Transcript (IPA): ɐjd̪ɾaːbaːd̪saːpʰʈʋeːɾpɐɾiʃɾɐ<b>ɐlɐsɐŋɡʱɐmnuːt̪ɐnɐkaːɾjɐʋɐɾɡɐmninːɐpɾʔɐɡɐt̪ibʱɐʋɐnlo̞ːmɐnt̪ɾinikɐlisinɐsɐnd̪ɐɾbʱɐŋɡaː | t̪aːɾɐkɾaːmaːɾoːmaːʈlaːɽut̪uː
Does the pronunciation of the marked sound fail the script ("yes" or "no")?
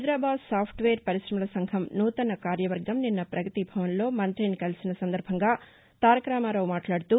yes